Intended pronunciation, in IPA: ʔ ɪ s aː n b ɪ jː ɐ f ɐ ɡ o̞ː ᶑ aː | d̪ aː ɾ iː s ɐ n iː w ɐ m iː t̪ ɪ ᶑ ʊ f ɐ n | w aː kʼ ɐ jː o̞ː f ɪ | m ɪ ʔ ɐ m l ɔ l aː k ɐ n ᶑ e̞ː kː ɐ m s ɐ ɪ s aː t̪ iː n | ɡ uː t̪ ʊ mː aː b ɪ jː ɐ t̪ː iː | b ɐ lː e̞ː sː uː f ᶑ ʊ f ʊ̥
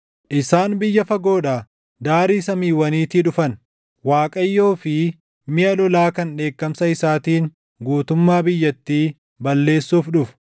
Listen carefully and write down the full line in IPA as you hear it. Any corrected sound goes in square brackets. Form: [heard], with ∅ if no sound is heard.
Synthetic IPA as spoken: ʔ ɪ s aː n b ɪ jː ɐ f ɐ ɡ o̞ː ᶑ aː | d̪ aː ɾ iː s ɐ [m] iː w ɐ [n] iː t̪ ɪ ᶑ ʊ f ɐ n | w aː kʼ ɐ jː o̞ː f ɪ | m ɪ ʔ ɐ [∅] l ɔ l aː k ɐ n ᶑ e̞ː kː ɐ m s ɐ ɪ s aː t̪ iː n | ɡ uː t̪ ʊ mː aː b ɪ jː ɐ t̪ː iː | b ɐ lː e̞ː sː uː f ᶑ ʊ f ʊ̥

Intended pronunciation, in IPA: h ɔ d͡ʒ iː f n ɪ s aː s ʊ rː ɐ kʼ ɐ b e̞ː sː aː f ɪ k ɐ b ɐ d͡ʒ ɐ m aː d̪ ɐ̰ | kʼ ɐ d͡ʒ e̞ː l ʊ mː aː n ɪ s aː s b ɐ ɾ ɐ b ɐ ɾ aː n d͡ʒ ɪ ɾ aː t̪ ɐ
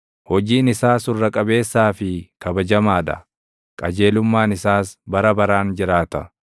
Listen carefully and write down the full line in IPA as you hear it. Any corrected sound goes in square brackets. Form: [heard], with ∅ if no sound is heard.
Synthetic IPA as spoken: h ɔ d͡ʒ iː [∅] n ɪ s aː s ʊ rː ɐ kʼ ɐ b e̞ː sː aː f ɪ k ɐ b ɐ d͡ʒ ɐ m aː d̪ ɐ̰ | kʼ ɐ d͡ʒ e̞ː l ʊ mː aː n ɪ s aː s b ɐ ɾ ɐ b ɐ ɾ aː n d͡ʒ ɪ ɾ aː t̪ ɐ

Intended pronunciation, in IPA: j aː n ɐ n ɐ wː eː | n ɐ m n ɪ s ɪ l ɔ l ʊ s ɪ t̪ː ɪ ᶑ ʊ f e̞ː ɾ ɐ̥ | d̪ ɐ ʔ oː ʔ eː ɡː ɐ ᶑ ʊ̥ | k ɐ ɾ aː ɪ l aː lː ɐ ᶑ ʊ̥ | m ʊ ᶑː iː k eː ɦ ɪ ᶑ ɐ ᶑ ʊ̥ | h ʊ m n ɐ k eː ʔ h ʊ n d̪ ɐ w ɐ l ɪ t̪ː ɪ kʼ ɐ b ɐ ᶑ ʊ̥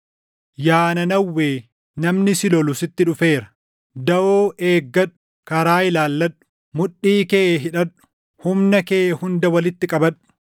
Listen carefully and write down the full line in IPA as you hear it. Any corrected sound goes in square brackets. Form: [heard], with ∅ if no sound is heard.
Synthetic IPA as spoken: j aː n ɐ n ɐ wː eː | n ɐ m n ɪ s ɪ l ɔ l ʊ s ɪ t̪ː ɪ ᶑ ʊ f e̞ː ɾ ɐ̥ | d̪ ɐ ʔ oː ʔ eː ɡː ɐ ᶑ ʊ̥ | k ɐ ɾ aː ɪ l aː lː ɐ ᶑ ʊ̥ | m ʊ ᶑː iː k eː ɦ ɪ ᶑ ɐ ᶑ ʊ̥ | h ʊ m n ɐ k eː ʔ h ʊ n d̪ ɐ w ɐ l ɪ t̪ː ɪ kʼ ɐ b ɐ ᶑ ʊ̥

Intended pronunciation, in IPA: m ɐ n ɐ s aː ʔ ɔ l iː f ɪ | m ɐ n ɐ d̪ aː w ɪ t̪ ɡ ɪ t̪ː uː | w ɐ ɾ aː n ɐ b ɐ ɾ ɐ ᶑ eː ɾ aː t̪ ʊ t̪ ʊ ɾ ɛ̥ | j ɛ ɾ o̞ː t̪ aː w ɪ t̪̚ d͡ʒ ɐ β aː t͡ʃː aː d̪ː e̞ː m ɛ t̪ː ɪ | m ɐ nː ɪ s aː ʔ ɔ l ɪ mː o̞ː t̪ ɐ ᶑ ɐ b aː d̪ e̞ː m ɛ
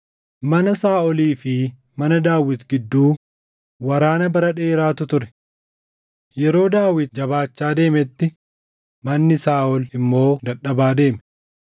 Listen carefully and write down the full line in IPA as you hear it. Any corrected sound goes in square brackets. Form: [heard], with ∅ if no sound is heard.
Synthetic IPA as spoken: m ɐ n ɐ s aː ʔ ɔ l iː f ɪ | m ɐ n ɐ d̪ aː w ɪ t̪ ɡ ɪ [d̪ː] uː | w ɐ ɾ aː n ɐ b ɐ ɾ ɐ ᶑ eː ɾ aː t̪ ʊ t̪ ʊ ɾ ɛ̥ | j ɛ ɾ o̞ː [d̪] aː w ɪ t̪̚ d͡ʒ ɐ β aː t͡ʃː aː [d̪] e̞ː m ɛ t̪ː ɪ | m ɐ nː ɪ s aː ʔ ɔ l ɪ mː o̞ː [d̪] ɐ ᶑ ɐ b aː d̪ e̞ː m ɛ

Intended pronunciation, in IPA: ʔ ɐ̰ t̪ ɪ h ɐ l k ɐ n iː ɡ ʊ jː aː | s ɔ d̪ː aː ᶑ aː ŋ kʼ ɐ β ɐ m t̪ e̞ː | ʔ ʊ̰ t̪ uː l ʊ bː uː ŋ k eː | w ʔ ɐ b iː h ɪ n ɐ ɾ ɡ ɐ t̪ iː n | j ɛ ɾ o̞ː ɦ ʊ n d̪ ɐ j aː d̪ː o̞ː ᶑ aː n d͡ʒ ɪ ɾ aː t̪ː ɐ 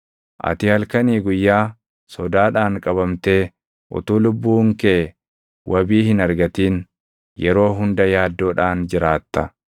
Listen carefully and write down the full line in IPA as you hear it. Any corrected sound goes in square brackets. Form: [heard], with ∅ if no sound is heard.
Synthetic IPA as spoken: ʔ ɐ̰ t̪ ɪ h ɐ l k ɐ n iː ɡ ʊ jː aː | s ɔ [d̪] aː ᶑ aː ŋ kʼ ɐ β ɐ m t̪ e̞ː | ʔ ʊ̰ t̪ uː l ʊ bː uː ŋ k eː | w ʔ ɐ b iː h ɪ n ɐ ɾ ɡ ɐ t̪ iː n | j ɛ ɾ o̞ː ɦ ʊ n d̪ ɐ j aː d̪ː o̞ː ᶑ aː n d͡ʒ ɪ ɾ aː t̪ː ɐ

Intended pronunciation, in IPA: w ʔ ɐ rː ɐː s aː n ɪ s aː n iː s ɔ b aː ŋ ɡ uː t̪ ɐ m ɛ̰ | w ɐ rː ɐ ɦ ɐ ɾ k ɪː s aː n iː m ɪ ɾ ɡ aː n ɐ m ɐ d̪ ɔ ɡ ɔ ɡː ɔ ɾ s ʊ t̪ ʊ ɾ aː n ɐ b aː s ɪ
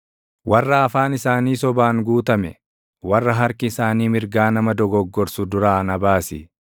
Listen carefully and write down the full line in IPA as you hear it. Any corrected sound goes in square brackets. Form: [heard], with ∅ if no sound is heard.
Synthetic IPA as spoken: w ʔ ɐ rː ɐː [f] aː n ɪ s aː n iː s ɔ b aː ŋ ɡ uː t̪ ɐ m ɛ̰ | w ɐ rː ɐ ɦ ɐ ɾ k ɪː s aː n iː m ɪ ɾ ɡ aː n ɐ m ɐ d̪ ɔ ɡ ɔ ɡː ɔ ɾ s ʊ [d̪] ʊ ɾ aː n ɐ b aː s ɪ

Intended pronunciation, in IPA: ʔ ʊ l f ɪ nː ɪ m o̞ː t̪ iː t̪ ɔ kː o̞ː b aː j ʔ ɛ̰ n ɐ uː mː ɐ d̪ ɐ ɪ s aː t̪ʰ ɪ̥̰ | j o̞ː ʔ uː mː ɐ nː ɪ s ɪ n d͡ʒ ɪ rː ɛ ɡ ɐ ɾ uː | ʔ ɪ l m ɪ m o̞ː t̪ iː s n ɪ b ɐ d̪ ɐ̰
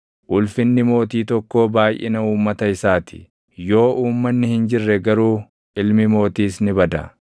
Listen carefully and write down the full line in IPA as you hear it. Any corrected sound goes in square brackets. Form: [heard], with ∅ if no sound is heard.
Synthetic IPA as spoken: ʔ ʊ l f ɪ nː ɪ m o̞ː t̪ iː t̪ ɔ kː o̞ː b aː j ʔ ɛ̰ n ɐ uː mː ɐ [t̪] ɐ ɪ s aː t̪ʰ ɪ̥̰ | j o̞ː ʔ uː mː ɐ nː ɪ [h] ɪ n d͡ʒ ɪ rː ɛ ɡ ɐ ɾ uː | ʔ ɪ l m ɪ m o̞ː t̪ iː s n ɪ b ɐ d̪ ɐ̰

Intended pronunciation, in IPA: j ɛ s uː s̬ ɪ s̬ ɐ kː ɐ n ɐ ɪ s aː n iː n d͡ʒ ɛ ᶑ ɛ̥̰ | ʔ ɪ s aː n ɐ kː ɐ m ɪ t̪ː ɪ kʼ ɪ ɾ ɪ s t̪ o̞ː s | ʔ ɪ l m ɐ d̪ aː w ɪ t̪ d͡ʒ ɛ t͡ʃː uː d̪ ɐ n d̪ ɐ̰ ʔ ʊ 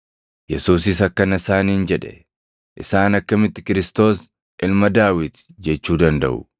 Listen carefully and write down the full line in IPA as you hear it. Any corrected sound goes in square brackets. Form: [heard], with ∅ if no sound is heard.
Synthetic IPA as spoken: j ɛ s uː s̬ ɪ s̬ ɐ kː ɐ n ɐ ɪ s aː n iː n d͡ʒ ɛ ᶑ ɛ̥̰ | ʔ ɪ s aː n ɐ kː ɐ m ɪ t̪ː ɪ [k] ɪ ɾ ɪ s t̪ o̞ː s | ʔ ɪ l m ɐ d̪ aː w ɪ t̪ d͡ʒ ɛ t͡ʃː uː d̪ ɐ n d̪ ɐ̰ ʔ ʊ

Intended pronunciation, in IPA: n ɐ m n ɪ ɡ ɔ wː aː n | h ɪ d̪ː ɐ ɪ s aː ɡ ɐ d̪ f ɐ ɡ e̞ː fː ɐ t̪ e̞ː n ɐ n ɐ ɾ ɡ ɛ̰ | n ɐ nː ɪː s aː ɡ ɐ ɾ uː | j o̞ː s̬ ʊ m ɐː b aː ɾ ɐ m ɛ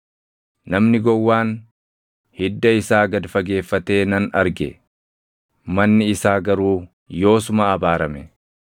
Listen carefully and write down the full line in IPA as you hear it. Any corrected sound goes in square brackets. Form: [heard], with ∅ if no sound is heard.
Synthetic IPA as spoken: n ɐ m n ɪ ɡ ɔ wː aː n | h ɪ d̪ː ɐ ɪ s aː ɡ ɐ d̪ f ɐ ɡ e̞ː fː ɐ t̪ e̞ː n ɐ n ɐ ɾ ɡ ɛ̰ | [m] ɐ nː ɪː s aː ɡ ɐ ɾ uː | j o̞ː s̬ ʊ m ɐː b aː ɾ ɐ m ɛ

